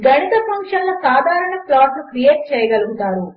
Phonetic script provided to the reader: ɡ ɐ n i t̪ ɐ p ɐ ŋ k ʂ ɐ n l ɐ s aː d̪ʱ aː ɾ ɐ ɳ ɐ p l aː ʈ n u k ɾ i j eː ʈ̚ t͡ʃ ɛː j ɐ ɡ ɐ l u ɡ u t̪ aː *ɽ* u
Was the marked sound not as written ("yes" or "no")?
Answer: yes